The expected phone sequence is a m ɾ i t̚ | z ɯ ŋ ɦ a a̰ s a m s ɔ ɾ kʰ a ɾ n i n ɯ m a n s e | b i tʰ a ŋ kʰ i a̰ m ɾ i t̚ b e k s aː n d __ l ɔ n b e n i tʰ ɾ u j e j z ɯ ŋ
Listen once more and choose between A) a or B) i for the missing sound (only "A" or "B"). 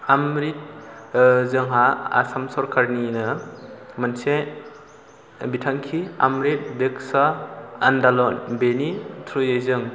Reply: A